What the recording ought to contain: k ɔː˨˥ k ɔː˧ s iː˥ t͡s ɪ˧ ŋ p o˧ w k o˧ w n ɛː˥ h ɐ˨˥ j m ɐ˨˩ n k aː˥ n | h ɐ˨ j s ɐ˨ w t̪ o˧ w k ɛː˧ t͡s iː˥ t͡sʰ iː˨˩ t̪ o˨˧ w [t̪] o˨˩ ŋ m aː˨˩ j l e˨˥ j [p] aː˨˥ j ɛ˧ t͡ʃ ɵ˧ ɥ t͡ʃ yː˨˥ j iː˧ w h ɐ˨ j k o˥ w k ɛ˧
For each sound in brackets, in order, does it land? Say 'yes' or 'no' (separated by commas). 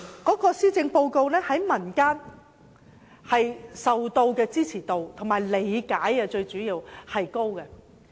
no, no